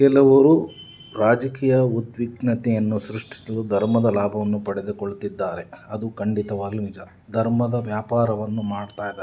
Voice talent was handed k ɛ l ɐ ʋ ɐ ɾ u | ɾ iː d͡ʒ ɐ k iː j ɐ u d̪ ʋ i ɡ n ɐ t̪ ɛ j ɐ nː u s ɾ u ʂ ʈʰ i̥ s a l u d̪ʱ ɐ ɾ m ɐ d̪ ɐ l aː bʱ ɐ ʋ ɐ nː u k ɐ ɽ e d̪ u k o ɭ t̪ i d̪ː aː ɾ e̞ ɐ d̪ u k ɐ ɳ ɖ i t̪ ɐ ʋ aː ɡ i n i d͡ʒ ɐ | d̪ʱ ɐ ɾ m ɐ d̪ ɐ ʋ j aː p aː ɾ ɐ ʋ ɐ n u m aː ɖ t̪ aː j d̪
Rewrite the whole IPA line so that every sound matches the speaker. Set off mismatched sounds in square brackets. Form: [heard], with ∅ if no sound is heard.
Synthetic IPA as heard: k ɛ l ɐ ʋ ɐ ɾ u | ɾ [aː] d͡ʒ ɐ k iː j ɐ u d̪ ʋ i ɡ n ɐ t̪ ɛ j ɐ nː u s ɾ u ʂ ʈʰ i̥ s [ɐ] l u d̪ʱ ɐ ɾ m ɐ d̪ ɐ l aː bʱ ɐ ʋ ɐ nː u [p] ɐ ɽ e d̪ u k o ɭ t̪ i d̪ː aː ɾ e̞ ɐ d̪ u k ɐ ɳ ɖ i t̪ ɐ ʋ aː ɡ i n i d͡ʒ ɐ | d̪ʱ ɐ ɾ m ɐ d̪ ɐ ʋ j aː p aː ɾ ɐ ʋ ɐ [nː] u m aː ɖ t̪ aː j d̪